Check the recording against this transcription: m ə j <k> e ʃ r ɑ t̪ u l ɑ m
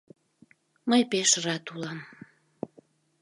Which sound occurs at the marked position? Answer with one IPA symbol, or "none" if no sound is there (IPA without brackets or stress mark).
p